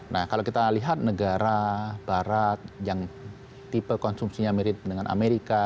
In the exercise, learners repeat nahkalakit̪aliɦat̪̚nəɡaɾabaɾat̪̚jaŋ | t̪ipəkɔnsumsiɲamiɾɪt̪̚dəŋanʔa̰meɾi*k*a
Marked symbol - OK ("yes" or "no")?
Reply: yes